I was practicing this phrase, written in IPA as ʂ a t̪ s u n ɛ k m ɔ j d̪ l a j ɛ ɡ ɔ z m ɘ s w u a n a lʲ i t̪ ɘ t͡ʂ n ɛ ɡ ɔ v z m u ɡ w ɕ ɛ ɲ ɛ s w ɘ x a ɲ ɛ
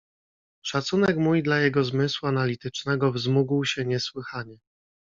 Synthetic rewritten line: ʂ a t̪ s u n ɛ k m u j d̪ l a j ɛ ɡ ɔ z m ɘ s w u a n a lʲ i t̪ ɘ t͡ʂ n ɛ ɡ ɔ v z m u ɡ w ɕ ɛ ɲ ɛ s w ɘ x a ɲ ɛ